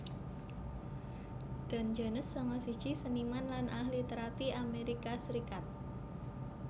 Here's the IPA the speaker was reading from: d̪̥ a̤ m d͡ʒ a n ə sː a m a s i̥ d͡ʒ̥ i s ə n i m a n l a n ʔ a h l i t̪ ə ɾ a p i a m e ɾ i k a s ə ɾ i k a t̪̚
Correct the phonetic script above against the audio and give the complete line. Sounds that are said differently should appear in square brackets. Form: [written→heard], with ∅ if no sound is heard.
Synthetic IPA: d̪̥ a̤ [m→n] d͡ʒ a n ə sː a m a s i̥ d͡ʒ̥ i s ə n i m a n l a n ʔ a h l i t̪ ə ɾ a p i a m e ɾ i k a s ə ɾ i k a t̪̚